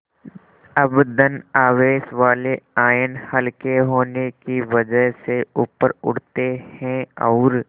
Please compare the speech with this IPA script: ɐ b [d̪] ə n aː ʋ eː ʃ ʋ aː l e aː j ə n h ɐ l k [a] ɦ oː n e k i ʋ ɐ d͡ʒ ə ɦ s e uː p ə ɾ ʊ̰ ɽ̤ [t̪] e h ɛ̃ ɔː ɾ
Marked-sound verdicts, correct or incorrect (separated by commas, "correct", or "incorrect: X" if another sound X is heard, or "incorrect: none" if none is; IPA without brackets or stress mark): correct, incorrect: e, correct